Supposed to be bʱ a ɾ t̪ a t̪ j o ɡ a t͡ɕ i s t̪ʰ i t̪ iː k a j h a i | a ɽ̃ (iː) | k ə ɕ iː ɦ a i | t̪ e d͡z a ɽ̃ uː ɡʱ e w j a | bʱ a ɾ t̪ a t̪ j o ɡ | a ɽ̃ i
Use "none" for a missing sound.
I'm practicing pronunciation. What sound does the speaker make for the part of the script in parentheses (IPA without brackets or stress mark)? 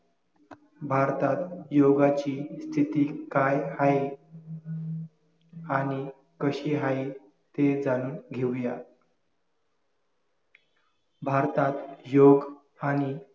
i